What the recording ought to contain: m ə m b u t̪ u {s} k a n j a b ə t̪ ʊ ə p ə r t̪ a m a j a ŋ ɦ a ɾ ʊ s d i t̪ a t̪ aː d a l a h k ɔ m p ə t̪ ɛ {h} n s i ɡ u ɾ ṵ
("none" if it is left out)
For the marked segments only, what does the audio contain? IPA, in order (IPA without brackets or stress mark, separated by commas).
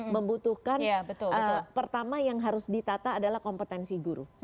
h, none